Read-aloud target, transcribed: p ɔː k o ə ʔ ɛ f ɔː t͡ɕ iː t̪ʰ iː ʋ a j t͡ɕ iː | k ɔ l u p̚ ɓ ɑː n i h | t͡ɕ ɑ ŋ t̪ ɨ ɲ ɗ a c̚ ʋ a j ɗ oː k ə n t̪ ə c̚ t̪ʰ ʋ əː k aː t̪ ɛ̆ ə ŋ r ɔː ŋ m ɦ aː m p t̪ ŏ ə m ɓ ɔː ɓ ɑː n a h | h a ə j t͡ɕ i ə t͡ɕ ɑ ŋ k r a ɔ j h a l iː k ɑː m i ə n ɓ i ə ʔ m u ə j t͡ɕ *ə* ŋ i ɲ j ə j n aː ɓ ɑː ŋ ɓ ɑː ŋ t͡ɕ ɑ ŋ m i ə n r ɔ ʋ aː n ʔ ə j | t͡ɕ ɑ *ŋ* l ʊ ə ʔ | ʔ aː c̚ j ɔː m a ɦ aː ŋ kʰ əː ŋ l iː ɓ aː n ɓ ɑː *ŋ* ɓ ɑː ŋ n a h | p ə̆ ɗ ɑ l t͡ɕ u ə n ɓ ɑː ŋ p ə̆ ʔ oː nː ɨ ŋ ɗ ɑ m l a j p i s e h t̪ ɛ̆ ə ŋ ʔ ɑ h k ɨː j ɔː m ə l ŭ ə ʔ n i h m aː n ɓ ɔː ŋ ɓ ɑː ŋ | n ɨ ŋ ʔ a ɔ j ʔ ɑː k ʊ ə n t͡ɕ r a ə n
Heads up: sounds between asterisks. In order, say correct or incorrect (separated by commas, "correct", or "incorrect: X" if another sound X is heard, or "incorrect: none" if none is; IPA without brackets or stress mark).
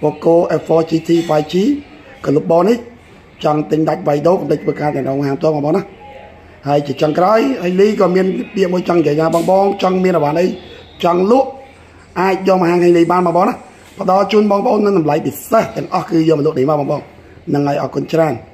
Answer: incorrect: ɑ, correct, correct